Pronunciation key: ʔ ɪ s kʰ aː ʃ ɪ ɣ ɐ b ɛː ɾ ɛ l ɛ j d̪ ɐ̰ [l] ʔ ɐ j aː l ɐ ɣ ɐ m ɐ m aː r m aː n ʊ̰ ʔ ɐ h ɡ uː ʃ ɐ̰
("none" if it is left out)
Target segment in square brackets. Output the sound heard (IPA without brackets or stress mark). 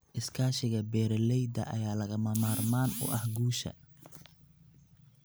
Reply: none